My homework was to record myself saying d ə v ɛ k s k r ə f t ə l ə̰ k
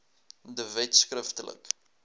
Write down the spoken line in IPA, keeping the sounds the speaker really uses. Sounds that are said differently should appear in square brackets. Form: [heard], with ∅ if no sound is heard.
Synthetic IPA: d ə v ɛ [t] s k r ə f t ə l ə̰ k